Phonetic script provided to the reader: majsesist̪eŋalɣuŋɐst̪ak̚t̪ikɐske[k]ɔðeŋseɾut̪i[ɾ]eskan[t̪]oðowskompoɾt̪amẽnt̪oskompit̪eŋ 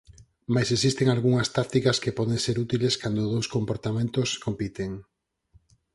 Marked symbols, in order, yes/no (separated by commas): no, no, no